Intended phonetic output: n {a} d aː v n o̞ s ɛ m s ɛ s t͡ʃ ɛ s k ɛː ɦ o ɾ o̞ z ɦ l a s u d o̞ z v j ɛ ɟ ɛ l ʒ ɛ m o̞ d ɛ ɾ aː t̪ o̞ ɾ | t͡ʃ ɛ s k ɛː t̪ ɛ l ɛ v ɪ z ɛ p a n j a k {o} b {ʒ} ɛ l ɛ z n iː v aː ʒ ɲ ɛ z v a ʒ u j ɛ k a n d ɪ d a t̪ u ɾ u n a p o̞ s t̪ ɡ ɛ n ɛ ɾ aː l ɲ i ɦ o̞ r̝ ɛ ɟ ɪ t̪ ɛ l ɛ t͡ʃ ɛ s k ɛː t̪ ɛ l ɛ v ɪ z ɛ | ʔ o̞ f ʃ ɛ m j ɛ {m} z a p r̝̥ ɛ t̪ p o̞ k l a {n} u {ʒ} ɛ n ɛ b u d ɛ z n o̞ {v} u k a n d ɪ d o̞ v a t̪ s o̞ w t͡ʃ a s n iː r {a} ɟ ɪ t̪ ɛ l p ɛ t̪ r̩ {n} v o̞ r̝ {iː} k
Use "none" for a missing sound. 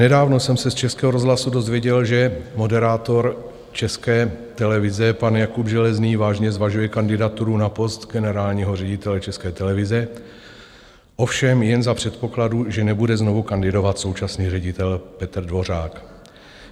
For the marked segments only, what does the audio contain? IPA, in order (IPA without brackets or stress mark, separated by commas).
ɛ, u, ʒ, n, d, ʒ, v, ɛ, d, aː